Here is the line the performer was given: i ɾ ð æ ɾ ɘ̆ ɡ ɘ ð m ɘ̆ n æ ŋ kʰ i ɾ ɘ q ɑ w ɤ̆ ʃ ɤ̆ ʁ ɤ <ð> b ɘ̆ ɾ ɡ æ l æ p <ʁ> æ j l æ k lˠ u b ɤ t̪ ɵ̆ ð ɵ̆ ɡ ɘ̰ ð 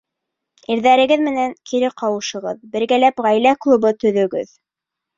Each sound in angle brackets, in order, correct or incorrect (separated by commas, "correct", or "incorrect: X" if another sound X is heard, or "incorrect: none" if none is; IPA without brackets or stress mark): correct, correct